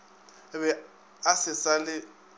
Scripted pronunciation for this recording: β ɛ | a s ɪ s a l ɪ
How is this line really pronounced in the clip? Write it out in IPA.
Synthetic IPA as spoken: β ɛ | a s ɪ s a l ɪ